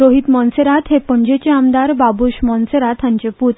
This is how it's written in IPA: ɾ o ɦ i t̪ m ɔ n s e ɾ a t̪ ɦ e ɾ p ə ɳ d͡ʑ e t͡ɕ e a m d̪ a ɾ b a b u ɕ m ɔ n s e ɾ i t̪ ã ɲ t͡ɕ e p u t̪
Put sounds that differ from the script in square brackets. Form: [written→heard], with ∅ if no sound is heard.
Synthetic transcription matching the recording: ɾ o ɦ i t̪ m ɔ n s e ɾ a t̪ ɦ e [ɾ→∅] p ə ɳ d͡ʑ e t͡ɕ e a m d̪ a ɾ b a b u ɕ m ɔ n s e ɾ [i→a] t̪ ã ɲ t͡ɕ e p u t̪